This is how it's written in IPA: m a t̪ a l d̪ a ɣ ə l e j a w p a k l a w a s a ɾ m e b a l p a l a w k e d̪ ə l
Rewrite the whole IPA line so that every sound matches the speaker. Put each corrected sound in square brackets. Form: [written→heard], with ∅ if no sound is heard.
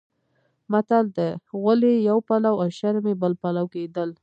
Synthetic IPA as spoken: m a t̪ a l d̪ [a→ə] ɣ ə l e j a w p a [k→∅] l a w a [s→ʃ] a ɾ m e b [a→ə] l p a l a w k e d̪ ə l

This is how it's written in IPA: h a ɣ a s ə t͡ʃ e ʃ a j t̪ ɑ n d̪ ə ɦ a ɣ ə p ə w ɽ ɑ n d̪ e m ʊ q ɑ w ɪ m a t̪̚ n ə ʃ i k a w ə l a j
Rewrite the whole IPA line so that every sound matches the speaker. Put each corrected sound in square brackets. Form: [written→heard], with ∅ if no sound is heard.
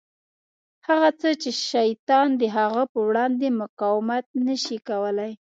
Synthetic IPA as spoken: h a ɣ a [s→t͡s] ə t͡ʃ e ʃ a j t̪ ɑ n d̪ ə ɦ a ɣ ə p ə w ɽ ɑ n d̪ e m ʊ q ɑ w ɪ m a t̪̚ n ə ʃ i k a w ə l a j

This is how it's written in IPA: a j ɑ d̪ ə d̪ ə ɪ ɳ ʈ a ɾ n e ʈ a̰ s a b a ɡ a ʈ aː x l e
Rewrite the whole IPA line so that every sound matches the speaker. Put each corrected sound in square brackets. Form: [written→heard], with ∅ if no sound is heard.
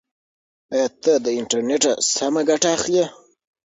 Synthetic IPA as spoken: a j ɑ [d̪→t̪] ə d̪ ə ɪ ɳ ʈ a ɾ n e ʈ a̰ s a [b→m] a ɡ a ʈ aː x l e

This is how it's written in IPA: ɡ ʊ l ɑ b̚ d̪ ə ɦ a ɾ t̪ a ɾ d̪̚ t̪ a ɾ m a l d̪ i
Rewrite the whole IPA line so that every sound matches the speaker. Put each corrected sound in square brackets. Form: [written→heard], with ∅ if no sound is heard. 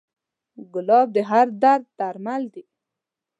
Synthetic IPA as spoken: ɡ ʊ l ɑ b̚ d̪ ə ɦ a ɾ [t̪→d̪] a ɾ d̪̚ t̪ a ɾ m a l d̪ i

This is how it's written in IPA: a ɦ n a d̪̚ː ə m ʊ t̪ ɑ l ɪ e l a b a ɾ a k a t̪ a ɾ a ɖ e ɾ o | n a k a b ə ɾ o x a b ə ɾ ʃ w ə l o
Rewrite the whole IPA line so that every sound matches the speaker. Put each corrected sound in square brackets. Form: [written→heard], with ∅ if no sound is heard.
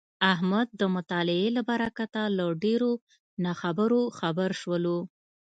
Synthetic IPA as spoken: a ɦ [n→m] a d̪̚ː ə m ʊ t̪ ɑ l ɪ e l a b a ɾ a k a t̪ a [ɾ→l] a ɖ e ɾ o | n a [k→x] a b ə ɾ o x a b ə ɾ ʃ w ə l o

